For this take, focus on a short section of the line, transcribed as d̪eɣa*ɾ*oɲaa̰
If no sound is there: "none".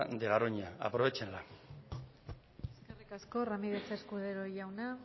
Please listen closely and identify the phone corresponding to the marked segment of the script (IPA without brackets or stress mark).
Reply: ɾ